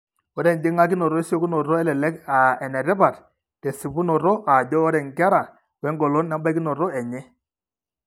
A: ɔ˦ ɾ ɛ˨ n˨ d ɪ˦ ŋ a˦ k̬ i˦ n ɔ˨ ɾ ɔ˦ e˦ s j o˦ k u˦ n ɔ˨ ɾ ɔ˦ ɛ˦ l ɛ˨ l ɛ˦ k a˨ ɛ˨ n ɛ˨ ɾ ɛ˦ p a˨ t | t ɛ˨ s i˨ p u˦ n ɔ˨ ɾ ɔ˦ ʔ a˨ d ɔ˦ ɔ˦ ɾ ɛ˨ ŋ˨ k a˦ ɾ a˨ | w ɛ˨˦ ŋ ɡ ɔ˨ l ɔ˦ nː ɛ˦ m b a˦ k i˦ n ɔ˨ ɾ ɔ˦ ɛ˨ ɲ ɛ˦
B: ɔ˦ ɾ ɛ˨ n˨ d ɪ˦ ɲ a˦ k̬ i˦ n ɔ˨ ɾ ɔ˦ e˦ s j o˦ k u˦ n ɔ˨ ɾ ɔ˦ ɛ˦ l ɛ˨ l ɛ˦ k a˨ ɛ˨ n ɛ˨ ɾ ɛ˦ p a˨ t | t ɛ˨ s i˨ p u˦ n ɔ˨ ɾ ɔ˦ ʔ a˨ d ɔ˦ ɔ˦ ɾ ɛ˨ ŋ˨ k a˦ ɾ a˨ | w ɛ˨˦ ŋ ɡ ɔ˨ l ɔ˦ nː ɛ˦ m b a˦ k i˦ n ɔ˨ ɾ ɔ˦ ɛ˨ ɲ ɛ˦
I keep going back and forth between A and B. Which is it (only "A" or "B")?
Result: A